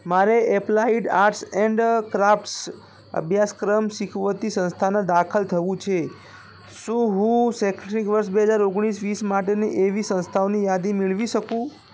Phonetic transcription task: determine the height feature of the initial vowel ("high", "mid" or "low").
low